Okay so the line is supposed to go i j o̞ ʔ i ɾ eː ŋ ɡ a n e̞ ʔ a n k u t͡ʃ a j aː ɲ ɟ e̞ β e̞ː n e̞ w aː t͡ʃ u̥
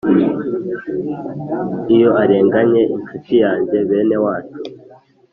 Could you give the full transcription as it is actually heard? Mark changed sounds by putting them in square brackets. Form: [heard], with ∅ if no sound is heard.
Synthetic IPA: i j o̞ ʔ [a] ɾ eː ŋ ɡ a [ɲ] e̞ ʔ [i] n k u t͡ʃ [i] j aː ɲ ɟ e̞ β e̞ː n e̞ w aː t͡ʃ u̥

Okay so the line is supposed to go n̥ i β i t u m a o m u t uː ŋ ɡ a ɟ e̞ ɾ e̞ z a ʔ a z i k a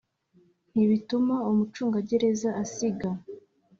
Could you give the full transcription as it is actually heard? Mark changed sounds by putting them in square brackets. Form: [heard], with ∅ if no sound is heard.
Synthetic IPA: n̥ i β i t u m a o m u [t͡ʃ] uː ŋ ɡ a ɟ e̞ ɾ e̞ z a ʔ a [s] i [ɡ] a

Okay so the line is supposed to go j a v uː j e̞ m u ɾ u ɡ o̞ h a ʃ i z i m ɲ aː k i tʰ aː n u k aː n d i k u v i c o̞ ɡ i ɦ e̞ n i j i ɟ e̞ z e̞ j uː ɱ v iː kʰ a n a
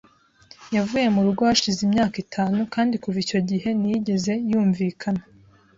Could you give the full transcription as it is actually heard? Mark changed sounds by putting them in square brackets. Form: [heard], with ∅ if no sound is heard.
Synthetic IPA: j a v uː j e̞ m u ɾ u ɡ o̞ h a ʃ i z i m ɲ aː k i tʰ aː n u k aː n d i k u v i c o̞ [ɟ] i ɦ e̞ n i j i ɟ e̞ z e̞ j uː ɱ v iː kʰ a n a

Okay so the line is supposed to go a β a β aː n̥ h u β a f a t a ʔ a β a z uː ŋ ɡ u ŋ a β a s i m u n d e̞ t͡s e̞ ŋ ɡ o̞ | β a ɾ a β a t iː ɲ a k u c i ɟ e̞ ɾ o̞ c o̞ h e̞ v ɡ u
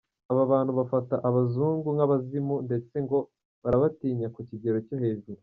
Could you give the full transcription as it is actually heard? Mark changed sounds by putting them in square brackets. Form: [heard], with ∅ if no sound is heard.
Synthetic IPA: a β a β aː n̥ h u β a f a t a ʔ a β a z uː ŋ ɡ u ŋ a β a [z] i m u n d e̞ t͡s e̞ ŋ ɡ o̞ | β a ɾ a β a t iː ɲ a k u c i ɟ e̞ ɾ o̞ c o̞ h e̞ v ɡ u

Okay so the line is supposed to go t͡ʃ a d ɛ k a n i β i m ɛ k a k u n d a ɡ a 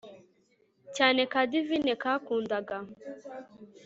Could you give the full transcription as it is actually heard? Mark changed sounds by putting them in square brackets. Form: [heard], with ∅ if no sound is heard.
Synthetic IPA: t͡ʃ a [n] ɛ k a [d] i [v] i [n] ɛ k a k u n d a ɡ a

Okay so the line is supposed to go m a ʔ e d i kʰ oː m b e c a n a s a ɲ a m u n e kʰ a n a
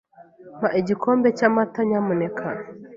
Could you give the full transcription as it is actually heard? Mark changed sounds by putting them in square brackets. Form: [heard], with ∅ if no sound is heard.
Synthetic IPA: m a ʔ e [ɟ] i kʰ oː m b e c a [m] a [t] a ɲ a m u n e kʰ a n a

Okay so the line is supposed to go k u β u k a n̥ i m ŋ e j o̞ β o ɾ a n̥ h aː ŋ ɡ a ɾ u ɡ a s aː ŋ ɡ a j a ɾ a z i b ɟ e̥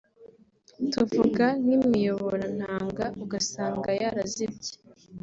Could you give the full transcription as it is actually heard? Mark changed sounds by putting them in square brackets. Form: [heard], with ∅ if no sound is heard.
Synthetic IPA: [t] u [v] u [ɡ] a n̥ i m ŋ [i] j o̞ β o ɾ a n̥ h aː ŋ ɡ a [∅] u ɡ a s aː ŋ ɡ a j a ɾ a z i b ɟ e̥

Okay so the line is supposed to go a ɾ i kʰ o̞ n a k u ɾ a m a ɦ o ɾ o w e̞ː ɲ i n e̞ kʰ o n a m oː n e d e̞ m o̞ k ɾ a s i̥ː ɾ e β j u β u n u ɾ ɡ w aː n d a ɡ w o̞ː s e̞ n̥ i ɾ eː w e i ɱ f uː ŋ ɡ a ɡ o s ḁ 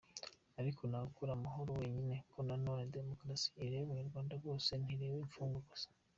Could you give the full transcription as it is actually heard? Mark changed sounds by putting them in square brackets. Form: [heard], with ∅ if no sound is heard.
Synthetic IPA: a ɾ i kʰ o̞ n a k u ɾ a m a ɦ o ɾ o w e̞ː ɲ i n e̞ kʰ o n a [n] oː n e d e̞ m o̞ k ɾ a s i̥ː ɾ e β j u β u [ɲ] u ɾ ɡ w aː n d a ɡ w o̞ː s e̞ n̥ i ɾ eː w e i ɱ f uː ŋ ɡ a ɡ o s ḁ

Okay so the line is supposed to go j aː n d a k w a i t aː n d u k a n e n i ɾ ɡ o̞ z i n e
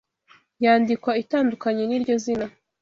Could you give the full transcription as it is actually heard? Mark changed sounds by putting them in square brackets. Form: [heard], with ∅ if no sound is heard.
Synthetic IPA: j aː n d [i] k w a i t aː n d u k a [ɲ] e n i ɾ [ɟ] o̞ z i n [a]

